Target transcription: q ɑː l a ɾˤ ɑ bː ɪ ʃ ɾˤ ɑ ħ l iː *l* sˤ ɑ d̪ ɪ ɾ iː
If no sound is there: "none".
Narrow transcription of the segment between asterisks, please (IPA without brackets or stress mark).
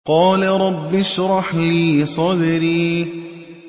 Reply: none